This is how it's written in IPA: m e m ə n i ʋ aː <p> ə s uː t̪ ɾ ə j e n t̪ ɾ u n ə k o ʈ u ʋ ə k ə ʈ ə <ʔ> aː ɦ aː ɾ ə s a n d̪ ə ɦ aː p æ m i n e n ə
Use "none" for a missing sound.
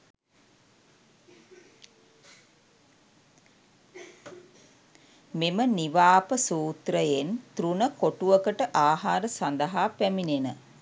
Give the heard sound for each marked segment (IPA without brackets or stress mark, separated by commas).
p, ʔ